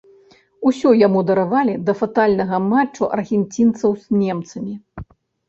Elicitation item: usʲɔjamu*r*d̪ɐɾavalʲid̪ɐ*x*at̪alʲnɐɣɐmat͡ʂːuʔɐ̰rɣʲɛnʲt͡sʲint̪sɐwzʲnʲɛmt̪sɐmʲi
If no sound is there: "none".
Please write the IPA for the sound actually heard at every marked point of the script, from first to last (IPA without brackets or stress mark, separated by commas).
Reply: none, f